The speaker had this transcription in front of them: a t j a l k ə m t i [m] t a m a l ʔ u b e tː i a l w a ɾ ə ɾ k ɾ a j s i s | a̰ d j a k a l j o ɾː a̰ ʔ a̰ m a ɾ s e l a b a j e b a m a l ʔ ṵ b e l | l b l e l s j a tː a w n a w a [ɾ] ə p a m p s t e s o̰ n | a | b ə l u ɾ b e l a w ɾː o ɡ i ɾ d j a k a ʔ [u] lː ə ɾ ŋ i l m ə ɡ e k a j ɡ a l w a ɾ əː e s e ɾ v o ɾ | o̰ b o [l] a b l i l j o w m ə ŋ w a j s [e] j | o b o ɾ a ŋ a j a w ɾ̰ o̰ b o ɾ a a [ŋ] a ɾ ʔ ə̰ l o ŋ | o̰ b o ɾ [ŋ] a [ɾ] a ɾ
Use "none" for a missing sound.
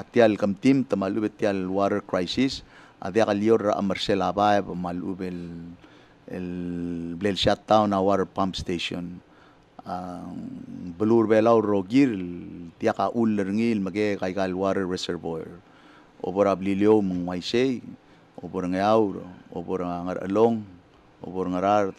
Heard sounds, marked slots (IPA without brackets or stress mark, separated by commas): m, ɾ, u, ɾ, e, ŋ, ŋ, ɾ